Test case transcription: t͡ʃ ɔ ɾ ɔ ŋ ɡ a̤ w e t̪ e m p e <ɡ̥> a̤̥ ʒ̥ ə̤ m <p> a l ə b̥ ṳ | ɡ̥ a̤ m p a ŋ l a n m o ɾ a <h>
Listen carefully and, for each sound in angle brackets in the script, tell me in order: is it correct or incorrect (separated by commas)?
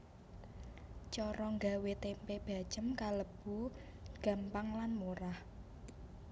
incorrect, incorrect, correct